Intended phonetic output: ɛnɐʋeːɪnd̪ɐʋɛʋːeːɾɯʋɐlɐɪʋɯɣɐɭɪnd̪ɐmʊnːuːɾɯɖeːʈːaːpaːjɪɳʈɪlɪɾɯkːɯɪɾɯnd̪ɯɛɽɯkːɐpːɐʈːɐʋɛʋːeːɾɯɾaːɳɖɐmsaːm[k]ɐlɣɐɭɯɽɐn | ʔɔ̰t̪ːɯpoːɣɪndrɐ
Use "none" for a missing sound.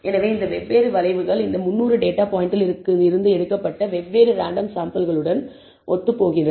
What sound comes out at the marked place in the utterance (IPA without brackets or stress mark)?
p